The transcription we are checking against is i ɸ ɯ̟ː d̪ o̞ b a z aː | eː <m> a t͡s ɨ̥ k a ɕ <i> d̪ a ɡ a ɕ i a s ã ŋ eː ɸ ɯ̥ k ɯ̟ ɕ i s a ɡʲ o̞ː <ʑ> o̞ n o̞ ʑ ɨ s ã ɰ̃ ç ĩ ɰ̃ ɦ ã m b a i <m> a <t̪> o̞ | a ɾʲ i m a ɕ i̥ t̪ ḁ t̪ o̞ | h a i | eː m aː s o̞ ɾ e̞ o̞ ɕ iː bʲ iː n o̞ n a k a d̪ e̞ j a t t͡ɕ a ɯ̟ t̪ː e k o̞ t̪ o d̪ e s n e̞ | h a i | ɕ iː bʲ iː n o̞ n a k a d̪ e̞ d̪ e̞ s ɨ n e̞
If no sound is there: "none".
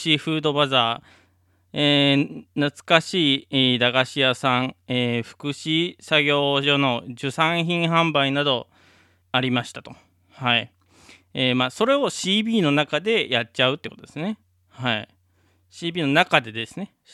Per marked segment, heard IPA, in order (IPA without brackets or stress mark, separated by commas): n, iː, ʑ, n, d̪